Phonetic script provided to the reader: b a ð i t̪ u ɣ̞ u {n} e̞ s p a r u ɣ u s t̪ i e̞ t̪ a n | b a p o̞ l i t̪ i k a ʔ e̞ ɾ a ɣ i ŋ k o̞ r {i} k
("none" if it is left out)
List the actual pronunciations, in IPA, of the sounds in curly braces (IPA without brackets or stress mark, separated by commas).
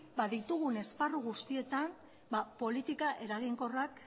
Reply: n, a